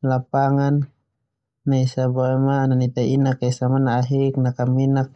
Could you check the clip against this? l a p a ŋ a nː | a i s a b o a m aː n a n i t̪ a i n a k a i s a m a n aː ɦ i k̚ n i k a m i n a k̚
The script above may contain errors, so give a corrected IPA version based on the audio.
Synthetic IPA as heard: l a p a ŋ a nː | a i s a b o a m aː n a n i t̪ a i n a k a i s a m a n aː ɦ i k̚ n a k a m i n a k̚